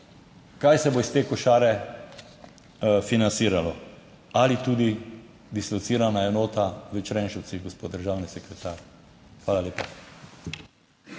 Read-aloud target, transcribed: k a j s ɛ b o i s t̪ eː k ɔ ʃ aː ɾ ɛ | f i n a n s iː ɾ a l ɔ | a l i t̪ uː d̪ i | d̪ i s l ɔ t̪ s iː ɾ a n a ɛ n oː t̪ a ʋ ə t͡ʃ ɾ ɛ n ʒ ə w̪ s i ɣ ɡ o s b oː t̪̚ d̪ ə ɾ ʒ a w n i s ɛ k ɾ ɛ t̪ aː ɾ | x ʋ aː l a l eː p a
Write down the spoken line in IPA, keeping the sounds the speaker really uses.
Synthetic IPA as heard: k a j s ɛ b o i s t̪ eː k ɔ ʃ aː ɾ ɛ | f i n a n s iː ɾ a l ɔ | a l i t̪ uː d̪ i | d̪ i s l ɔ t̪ s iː ɾ a n a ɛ n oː t̪ a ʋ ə t͡ʃ ɾ ɛ n ʃ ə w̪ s i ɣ ɡ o s p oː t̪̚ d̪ ə ɾ ʒ a w n i s ɛ k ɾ ɛ t̪ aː ɾ | x ʋ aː l a l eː p a